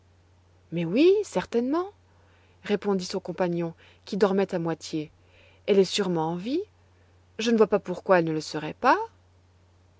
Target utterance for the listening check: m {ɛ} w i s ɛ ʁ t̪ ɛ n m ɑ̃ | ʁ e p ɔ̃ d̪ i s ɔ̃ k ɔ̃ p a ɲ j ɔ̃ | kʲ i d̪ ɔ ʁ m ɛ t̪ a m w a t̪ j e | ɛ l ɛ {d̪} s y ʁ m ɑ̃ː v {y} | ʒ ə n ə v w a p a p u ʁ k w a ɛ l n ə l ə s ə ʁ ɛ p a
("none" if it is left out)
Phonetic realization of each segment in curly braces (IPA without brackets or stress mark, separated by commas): ɛ, none, i